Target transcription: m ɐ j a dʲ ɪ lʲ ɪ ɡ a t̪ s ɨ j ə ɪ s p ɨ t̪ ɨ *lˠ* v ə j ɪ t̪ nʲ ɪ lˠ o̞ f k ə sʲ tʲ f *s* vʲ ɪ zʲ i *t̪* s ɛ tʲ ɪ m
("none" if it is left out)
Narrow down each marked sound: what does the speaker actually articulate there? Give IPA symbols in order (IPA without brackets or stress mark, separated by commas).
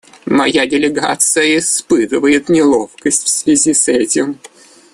none, s, none